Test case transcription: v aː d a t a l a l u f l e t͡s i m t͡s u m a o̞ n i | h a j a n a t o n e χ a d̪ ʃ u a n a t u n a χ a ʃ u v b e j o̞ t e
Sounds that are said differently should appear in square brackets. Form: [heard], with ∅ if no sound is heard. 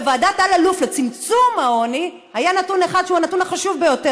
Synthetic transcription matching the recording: v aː d a t a l a l u f l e t͡s i m t͡s u m a o̞ n i | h a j a n a t [u] n e χ a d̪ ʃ u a n a t u n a χ a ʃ u v b e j o̞ t e